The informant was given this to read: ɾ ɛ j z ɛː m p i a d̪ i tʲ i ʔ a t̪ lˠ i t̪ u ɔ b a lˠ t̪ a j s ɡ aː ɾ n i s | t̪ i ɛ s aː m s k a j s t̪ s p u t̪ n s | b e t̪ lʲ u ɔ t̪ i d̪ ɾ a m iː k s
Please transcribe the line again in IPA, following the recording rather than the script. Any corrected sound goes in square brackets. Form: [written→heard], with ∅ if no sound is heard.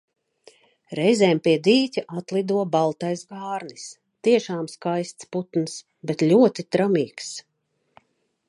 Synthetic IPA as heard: ɾ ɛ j z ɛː m p i [a→ɛ] d̪ [i→iː] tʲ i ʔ a t̪ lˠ i [t̪→d̪] u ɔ b a lˠ t̪ a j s ɡ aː ɾ n i s | t̪ i ɛ [s→ʃ] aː m s k a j s t̪ s p u t̪ n s | b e t̪ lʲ u ɔ t̪ i [d̪→t̪] ɾ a m iː k s